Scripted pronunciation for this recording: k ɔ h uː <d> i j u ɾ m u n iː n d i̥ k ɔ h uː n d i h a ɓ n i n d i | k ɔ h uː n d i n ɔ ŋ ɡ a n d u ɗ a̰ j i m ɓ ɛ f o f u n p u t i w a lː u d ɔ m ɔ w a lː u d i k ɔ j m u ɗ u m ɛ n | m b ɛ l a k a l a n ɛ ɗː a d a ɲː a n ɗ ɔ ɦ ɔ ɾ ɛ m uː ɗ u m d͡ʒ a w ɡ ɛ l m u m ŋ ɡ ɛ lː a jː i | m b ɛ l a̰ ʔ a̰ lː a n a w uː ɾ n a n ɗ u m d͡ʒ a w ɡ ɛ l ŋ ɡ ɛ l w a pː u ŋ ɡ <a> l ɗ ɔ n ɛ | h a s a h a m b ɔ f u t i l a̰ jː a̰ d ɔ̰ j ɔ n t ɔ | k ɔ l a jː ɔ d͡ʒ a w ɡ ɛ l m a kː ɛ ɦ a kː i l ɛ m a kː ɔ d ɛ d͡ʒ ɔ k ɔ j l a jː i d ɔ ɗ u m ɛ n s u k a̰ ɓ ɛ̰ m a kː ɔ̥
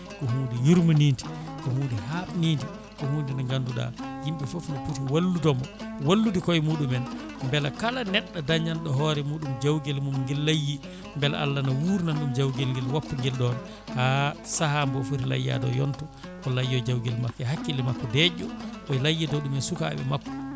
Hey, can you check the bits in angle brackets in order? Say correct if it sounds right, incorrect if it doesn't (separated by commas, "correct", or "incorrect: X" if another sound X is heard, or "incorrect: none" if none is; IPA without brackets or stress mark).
correct, incorrect: ɛ